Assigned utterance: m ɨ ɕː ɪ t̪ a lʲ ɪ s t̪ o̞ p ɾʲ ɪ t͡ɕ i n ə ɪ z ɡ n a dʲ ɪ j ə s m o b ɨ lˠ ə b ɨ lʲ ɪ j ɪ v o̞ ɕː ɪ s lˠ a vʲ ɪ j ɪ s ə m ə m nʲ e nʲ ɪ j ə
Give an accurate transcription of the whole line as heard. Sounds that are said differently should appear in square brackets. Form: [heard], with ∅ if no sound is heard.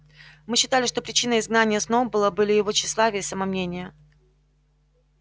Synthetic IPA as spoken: m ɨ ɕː ɪ t̪ a lʲ ɪ [ʂ] t̪ o̞ p ɾʲ ɪ t͡ɕ i n ə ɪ z ɡ n a [nʲ] ɪ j ə s [n] o b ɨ lˠ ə b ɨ lʲ ɪ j ɪ v o̞ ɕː ɪ s lˠ a vʲ ɪ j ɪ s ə m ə m nʲ e nʲ ɪ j ə